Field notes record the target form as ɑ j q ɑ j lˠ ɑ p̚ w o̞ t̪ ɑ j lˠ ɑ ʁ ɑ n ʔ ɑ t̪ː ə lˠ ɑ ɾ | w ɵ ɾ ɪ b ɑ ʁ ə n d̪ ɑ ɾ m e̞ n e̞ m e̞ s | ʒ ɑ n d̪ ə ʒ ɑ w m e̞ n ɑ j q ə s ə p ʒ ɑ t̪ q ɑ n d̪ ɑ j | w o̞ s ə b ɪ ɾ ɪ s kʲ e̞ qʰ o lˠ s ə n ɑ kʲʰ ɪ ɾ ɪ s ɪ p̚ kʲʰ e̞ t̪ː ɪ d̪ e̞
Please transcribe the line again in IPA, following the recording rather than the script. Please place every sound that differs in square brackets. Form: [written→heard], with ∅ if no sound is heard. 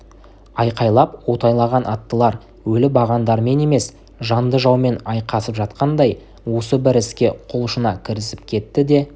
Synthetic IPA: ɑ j q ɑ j lˠ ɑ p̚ w o̞ t̪ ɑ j lˠ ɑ ʁ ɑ n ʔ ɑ t̪ː ə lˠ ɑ ɾ | w ɵ [ɾ→l] ɪ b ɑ ʁ [ə→ɑ] n d̪ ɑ ɾ m e̞ n e̞ m e̞ s | ʒ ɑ n d̪ ə ʒ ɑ w m e̞ n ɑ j q [ə→ɑ] s ə p ʒ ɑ t̪ q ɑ n d̪ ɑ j | w o̞ s ə b ɪ ɾ ɪ s kʲ e̞ qʰ o lˠ [s→ʃ] ə n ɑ kʲʰ ɪ ɾ ɪ s ɪ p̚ kʲʰ e̞ t̪ː ɪ d̪ e̞